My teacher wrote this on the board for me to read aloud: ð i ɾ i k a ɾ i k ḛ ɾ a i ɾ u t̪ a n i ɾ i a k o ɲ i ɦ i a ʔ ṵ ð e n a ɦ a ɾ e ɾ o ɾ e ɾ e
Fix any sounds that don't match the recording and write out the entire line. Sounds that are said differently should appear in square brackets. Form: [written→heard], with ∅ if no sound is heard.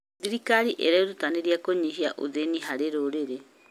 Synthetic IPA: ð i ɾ i k a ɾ i [k→ʔ] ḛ ɾ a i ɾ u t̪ a n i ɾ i a k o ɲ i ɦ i a ʔ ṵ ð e n [a→i] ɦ a ɾ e ɾ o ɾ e ɾ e